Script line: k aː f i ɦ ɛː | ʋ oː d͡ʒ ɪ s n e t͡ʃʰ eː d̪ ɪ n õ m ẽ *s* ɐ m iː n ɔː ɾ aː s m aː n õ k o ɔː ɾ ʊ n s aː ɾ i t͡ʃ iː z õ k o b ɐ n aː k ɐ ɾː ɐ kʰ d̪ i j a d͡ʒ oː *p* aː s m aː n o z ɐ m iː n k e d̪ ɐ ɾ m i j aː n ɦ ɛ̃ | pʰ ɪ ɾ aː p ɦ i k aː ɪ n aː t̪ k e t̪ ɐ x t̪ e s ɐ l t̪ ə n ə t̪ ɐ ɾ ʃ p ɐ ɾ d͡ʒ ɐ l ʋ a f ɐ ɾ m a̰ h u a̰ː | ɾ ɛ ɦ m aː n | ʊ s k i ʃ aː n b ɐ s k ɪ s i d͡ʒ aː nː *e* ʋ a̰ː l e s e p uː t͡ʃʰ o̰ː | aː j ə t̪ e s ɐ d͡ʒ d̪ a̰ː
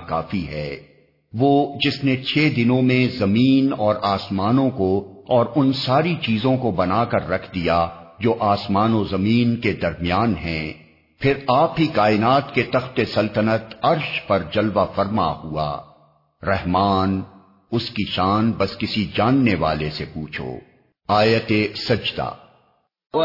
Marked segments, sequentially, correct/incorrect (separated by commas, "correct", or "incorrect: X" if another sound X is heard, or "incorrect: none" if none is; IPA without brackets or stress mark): incorrect: z, incorrect: ʔ, correct